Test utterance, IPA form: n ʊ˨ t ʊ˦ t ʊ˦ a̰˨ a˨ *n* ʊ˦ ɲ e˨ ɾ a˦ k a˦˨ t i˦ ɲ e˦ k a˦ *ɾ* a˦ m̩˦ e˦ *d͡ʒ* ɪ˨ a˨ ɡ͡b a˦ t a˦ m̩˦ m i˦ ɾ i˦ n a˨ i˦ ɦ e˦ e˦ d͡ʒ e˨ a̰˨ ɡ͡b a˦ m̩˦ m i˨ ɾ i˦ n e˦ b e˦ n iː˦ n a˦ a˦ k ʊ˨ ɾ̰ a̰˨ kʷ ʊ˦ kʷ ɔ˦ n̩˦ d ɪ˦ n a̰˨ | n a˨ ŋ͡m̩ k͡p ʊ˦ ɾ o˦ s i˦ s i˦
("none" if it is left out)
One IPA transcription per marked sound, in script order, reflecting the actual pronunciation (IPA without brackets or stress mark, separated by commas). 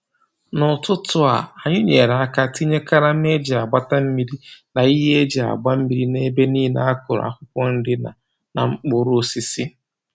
ɲ, ɾ, d͡ʒ